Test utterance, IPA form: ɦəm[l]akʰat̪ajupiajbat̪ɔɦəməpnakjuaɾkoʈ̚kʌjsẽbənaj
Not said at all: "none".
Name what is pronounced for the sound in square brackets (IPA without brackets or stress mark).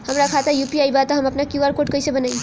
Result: ɾ